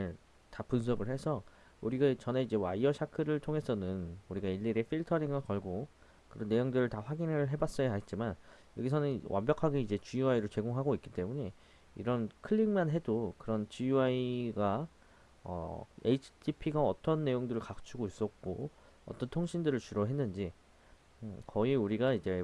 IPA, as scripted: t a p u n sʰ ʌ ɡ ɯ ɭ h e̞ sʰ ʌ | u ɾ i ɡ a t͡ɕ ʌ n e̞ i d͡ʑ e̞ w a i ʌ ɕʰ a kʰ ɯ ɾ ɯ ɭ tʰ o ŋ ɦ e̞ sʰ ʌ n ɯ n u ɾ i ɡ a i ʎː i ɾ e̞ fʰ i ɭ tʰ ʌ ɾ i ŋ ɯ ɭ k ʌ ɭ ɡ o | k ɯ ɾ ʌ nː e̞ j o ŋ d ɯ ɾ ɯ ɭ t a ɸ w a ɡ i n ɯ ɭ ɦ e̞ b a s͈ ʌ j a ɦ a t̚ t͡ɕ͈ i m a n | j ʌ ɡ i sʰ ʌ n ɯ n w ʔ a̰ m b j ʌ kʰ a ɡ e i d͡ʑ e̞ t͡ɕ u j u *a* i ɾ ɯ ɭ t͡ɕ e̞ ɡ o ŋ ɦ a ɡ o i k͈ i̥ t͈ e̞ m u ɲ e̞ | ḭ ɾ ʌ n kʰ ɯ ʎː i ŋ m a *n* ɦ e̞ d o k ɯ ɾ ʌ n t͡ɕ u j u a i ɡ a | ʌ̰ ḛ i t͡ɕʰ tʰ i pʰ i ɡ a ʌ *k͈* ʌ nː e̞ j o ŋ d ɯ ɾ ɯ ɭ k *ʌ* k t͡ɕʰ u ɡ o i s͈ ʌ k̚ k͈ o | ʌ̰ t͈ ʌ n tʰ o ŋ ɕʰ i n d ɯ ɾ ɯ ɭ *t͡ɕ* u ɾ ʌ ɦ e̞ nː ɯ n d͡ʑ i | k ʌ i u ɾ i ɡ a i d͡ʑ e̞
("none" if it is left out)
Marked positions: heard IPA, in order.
a, n, t͈, a, t͡ɕ

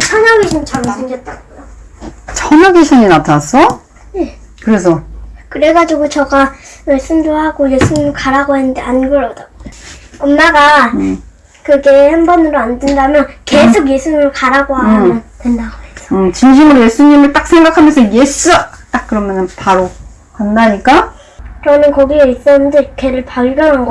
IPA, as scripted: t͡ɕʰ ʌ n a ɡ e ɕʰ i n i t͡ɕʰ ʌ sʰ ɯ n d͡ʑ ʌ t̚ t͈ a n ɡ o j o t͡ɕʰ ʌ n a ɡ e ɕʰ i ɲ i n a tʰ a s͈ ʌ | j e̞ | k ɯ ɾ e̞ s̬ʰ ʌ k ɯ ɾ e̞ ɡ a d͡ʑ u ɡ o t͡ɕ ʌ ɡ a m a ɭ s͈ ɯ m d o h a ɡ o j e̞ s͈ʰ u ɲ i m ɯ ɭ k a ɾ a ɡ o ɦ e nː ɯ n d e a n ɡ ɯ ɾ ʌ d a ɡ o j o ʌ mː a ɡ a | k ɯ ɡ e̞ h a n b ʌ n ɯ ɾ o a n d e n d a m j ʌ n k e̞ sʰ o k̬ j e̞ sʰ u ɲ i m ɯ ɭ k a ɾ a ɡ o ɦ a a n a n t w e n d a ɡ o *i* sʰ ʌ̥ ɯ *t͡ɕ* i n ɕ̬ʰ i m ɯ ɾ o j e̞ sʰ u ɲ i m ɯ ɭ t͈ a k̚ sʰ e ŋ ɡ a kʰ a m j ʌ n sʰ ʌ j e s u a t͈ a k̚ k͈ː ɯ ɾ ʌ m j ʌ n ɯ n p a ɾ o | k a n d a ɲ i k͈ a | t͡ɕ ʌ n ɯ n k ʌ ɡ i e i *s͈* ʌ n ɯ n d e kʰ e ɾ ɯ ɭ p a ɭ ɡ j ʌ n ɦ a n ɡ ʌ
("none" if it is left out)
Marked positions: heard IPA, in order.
e, t͡ɕ, s͈

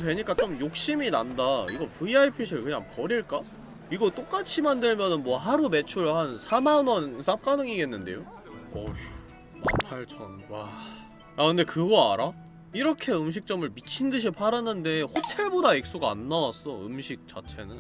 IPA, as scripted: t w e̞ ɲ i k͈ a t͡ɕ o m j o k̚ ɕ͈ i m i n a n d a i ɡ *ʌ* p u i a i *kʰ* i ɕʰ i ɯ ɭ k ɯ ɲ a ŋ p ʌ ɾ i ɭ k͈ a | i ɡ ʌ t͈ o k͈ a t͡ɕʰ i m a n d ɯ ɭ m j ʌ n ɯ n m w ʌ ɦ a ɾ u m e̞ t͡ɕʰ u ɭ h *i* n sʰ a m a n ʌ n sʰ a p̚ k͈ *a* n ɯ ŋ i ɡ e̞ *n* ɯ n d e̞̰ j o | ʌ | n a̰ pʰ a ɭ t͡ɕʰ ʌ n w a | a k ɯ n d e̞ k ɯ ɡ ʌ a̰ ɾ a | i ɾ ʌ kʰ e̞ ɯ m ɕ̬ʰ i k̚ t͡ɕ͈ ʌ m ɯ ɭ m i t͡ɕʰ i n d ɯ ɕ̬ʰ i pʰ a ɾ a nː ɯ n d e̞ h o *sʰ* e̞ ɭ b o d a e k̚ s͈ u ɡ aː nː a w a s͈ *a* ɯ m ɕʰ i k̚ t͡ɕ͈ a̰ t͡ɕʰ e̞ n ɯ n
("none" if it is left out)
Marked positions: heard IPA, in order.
ʌ, pʰ, a, a, nː, tʰ, ʌ

